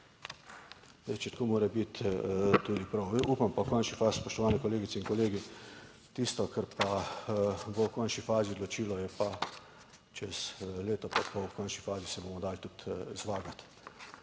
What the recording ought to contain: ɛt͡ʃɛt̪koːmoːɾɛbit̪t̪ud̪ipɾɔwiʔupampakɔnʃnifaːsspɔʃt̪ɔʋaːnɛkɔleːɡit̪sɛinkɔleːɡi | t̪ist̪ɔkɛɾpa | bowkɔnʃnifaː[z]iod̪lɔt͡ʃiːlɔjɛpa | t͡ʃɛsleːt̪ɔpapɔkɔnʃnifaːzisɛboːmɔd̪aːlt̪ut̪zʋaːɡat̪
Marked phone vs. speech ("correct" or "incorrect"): correct